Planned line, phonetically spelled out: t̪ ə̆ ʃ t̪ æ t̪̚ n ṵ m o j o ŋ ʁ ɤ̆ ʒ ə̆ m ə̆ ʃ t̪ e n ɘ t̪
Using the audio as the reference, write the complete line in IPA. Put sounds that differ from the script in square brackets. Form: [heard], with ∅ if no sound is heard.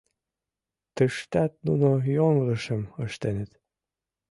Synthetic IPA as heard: t̪ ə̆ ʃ t̪ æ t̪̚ n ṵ [n] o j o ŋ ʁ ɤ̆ [ʃ] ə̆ m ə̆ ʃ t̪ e n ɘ t̪

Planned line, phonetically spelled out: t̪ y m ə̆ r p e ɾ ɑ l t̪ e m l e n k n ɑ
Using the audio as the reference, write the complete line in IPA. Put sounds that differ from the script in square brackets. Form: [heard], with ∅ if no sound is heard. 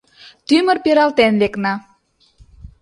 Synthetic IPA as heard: t̪ y m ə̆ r p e ɾ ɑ l t̪ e [n] l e [∅] k n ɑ

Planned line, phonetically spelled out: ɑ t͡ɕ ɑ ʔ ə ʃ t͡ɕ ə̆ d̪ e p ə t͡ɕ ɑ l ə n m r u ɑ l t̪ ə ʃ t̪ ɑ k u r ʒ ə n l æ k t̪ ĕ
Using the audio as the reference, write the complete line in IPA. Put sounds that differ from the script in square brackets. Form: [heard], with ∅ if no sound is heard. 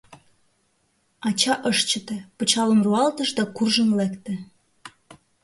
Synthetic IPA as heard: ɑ t͡ɕ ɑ ʔ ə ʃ t͡ɕ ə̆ [t̪] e p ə t͡ɕ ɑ l ə [∅] m r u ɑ l t̪ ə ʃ [d̪] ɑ k u r ʒ ə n l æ k t̪ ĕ

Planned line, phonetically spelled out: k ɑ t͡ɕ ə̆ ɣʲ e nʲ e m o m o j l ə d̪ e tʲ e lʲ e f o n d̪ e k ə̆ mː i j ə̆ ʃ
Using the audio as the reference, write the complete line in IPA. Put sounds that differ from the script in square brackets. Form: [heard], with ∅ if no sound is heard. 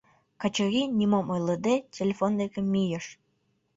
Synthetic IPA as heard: k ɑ t͡ɕ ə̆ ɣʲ [i] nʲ [i] m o m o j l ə d̪ e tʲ e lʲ e f o n d̪ e k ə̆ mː i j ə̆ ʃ

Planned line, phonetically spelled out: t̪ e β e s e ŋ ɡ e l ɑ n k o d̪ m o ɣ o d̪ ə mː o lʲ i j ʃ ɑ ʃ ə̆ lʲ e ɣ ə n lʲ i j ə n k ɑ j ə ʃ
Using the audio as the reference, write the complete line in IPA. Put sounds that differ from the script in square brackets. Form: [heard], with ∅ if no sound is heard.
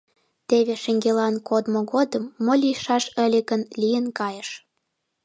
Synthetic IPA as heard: t̪ e β e [ʃ] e ŋ ɡ e l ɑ n k o d̪ m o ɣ o d̪ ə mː o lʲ i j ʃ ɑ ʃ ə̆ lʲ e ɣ ə n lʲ i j ə n k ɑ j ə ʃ

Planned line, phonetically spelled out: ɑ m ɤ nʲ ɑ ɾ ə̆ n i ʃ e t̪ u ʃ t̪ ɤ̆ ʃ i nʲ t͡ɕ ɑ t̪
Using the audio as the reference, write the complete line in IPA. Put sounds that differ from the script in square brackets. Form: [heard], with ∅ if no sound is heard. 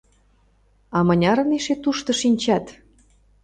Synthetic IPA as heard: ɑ m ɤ nʲ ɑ ɾ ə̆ n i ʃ e t̪ u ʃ t̪ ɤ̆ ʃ i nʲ t͡ɕ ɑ t̪

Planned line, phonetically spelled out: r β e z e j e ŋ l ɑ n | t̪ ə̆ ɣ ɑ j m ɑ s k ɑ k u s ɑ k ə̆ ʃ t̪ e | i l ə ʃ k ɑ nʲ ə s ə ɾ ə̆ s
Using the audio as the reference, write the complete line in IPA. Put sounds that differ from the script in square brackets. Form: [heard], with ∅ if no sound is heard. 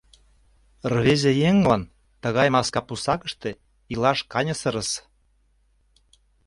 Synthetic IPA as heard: r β e z e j e ŋ l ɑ n | t̪ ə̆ ɣ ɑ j m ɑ s k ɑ [p] u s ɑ k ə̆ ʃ t̪ e | i l [ɑ] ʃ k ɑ nʲ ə s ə ɾ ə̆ s

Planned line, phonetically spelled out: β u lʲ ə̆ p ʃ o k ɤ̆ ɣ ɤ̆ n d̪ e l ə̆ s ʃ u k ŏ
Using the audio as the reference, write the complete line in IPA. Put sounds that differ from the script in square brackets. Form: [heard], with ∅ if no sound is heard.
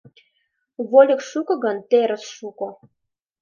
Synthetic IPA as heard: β [o] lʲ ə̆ [k] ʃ [u] k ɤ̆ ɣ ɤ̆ n [t̪] e [ɾ] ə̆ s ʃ u k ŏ

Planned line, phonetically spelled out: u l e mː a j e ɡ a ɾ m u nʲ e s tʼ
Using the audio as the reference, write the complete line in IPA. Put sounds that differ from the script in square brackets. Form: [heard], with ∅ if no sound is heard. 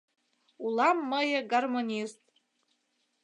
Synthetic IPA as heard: u l [a] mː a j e ɡ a [r] m [o] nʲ [i] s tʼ

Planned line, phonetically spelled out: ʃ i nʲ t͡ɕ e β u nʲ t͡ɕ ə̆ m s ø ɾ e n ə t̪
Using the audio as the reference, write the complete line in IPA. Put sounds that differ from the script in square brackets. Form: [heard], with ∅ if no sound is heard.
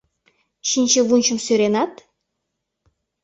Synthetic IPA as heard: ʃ i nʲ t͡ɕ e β u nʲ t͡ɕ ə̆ m s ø ɾ e n [ɑ] t̪

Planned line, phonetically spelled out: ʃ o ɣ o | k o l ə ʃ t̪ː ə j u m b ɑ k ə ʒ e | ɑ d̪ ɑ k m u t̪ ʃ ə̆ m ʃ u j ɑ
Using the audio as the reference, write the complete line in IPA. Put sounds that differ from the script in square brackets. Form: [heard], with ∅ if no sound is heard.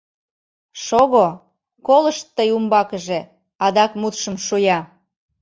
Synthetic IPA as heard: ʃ o ɣ o | k o l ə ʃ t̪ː ə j u m b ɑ k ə ʒ e | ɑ d̪ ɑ k m u t̪ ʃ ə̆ m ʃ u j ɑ

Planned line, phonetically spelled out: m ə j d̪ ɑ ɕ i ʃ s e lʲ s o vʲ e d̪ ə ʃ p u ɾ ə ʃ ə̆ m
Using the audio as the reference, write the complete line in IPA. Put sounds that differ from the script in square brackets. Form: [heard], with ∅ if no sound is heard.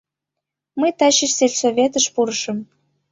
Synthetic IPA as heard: m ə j [t̪] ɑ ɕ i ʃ s e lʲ s o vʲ e [t̪] ə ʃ p u ɾ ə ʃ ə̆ m

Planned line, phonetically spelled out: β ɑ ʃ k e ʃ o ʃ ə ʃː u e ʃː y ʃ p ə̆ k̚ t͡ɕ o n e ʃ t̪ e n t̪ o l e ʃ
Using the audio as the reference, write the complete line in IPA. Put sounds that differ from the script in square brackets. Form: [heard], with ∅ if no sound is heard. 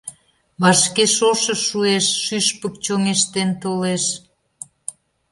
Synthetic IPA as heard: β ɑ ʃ k e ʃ o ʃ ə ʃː u e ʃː y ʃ p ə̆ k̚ t͡ɕ o [ŋ] e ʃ t̪ e n t̪ o l e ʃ

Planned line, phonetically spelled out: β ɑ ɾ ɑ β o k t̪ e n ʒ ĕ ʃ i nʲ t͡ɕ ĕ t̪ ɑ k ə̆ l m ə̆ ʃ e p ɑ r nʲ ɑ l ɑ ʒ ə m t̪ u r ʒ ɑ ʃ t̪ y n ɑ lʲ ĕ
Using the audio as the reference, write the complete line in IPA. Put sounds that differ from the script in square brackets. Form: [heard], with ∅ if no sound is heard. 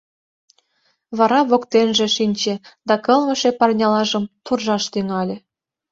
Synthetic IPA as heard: β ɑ ɾ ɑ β o k t̪ e n ʒ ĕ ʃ i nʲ t͡ɕ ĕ [d̪] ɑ k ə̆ l m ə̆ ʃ e p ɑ r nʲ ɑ l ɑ ʒ ə m t̪ u r ʒ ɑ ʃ t̪ y [ŋ] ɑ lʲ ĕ

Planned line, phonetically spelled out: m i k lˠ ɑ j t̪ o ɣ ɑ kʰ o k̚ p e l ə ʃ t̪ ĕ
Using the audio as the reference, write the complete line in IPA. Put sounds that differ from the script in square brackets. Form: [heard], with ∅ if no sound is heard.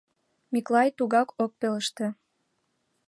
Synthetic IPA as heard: m i k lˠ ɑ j t̪ [u] ɣ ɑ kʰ o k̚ p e l ə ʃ t̪ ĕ

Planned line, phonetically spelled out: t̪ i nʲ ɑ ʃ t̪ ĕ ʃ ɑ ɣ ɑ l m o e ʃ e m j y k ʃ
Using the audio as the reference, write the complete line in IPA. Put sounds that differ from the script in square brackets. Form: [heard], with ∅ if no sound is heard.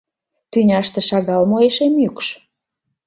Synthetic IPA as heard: t̪ [y] nʲ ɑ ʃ t̪ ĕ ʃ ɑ ɣ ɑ l m o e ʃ e m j y k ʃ

